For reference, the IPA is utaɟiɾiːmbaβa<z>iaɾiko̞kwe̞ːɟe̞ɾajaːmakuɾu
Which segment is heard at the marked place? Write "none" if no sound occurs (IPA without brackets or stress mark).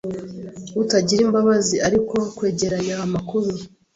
z